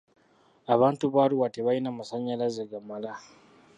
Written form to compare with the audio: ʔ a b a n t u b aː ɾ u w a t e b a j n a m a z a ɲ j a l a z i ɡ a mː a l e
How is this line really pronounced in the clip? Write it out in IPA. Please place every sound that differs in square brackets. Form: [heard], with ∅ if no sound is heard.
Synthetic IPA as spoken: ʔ a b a n t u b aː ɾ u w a t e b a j n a m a [s] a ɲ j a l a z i ɡ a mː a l [a]